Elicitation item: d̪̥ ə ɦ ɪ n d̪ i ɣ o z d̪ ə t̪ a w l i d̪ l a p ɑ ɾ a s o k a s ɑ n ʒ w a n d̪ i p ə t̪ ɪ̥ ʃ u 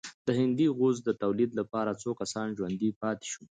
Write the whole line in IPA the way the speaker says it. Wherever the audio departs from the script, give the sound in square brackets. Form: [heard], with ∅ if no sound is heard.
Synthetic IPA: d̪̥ ə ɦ ɪ n d̪ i ɣ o z d̪ ə t̪ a w l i d̪ l a p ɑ ɾ a [t͡s] o k a s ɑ n ʒ w a n d̪ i p [ɑ] t̪ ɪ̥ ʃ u